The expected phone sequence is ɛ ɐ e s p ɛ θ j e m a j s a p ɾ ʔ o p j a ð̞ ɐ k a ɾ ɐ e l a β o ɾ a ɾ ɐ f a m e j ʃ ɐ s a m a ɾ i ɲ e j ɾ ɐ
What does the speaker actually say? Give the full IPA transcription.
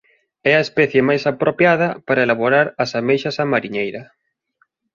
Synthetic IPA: ɛ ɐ e s p ɛ θ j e m a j s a p ɾ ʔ o p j a ð̞ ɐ p a ɾ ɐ e l a β o ɾ a ɾ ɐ s a m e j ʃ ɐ s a m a ɾ i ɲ e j ɾ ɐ